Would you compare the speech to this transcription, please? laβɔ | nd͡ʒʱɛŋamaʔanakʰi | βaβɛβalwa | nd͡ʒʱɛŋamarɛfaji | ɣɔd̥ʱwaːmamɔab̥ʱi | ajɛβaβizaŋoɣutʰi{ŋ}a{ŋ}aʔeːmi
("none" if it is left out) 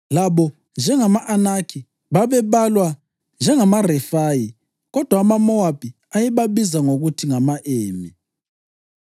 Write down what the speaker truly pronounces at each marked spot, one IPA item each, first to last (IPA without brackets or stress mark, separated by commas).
ŋ, m